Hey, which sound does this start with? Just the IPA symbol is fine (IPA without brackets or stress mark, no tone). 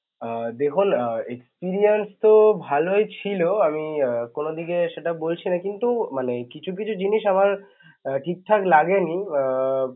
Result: d̪